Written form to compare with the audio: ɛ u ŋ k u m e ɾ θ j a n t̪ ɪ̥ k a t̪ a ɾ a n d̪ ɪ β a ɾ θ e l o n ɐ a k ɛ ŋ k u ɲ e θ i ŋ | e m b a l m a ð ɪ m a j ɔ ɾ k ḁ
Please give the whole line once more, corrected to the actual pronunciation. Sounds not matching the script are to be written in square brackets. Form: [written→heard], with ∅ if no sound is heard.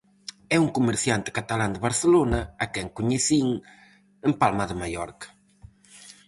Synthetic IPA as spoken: ɛ u ŋ k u m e ɾ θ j a n t̪ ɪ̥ k a t̪ a [ɾ→l] a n d̪ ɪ β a ɾ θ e l o n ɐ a k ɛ ŋ k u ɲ e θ i ŋ | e m [b→p] a l m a ð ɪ m a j ɔ ɾ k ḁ